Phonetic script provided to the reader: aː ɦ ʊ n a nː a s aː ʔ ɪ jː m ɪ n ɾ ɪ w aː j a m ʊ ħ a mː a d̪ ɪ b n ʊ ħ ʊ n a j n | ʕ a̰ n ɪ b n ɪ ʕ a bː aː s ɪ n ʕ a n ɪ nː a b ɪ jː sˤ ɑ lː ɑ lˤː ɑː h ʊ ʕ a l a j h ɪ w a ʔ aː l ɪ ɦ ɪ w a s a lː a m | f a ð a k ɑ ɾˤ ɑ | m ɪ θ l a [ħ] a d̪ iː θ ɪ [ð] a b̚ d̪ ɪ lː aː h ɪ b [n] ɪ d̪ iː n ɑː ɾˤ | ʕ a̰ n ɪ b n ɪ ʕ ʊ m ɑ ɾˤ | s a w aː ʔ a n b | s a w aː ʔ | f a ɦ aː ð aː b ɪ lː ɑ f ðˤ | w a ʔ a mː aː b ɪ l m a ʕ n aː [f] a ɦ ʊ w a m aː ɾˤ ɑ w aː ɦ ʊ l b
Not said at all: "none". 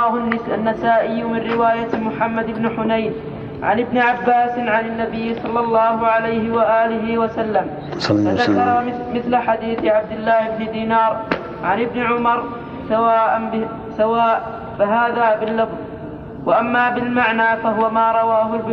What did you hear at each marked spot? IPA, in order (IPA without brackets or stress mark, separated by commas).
ħ, ʕ, n, f